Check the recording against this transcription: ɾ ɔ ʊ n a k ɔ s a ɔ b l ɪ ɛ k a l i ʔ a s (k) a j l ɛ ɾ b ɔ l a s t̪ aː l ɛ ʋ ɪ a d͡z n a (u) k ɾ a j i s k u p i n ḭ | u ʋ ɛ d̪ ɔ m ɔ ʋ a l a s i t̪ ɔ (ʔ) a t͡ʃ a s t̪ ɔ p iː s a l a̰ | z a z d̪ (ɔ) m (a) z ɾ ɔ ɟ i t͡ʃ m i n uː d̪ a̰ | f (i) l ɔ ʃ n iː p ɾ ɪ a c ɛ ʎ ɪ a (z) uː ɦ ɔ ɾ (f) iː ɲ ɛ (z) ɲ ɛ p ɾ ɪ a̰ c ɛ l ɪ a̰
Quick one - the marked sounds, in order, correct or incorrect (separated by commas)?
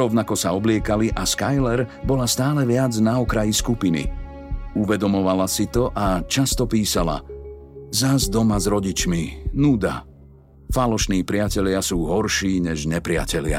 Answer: correct, incorrect, correct, correct, correct, incorrect, incorrect, incorrect, incorrect